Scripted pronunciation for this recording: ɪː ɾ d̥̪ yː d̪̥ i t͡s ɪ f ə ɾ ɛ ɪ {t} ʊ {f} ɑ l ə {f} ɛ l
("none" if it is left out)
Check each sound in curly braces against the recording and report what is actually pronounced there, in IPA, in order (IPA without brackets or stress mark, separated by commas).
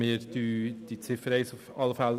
s, f, f